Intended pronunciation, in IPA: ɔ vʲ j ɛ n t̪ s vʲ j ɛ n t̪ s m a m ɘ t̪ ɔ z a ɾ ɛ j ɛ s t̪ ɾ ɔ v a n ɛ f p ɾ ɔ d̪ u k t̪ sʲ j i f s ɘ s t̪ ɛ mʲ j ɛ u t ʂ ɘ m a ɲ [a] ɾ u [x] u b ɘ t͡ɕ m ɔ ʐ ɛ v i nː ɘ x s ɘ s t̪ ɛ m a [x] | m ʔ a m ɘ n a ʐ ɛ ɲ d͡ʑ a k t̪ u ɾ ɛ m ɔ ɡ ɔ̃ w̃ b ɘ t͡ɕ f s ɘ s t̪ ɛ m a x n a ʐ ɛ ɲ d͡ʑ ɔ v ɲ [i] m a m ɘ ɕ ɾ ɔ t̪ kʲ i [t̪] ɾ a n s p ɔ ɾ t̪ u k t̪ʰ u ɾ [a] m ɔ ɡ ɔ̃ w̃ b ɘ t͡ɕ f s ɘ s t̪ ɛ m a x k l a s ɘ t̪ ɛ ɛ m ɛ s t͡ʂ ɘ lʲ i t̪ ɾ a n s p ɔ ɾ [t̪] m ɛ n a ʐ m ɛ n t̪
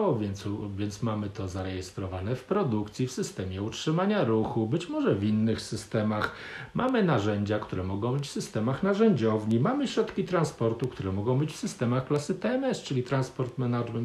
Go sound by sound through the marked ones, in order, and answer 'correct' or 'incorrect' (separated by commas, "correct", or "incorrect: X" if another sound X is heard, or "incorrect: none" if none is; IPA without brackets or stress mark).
correct, correct, correct, correct, correct, incorrect: ɛ, correct